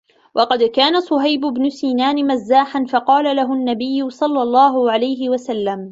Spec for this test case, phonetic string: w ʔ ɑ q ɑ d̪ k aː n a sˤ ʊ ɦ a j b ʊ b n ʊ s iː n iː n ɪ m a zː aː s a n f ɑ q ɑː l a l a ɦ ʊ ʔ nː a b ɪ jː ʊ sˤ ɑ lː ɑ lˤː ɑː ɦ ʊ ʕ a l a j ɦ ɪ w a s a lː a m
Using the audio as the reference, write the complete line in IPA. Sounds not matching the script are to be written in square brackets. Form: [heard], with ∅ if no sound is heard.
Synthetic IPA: w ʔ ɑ q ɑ d̪ k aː n a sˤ ʊ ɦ a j b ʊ b n ʊ s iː n [aː] n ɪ m a zː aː [ħ] a n f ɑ q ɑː l a l a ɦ ʊ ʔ nː a b ɪ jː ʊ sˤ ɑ lː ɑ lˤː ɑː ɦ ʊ ʕ a l a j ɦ ɪ w a s a lː a m